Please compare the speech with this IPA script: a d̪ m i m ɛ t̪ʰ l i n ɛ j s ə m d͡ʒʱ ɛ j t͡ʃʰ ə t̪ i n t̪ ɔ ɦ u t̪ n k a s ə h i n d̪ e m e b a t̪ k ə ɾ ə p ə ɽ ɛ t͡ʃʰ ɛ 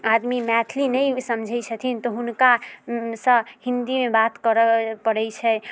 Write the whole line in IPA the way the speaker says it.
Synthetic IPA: a d̪ m i m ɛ t̪ʰ l i n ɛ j s ə m d͡ʒʱ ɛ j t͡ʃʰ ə t̪ʰ i n t̪ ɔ ɦ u n k a s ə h i n d̪ i m e b a t̪ k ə ɾ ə p ə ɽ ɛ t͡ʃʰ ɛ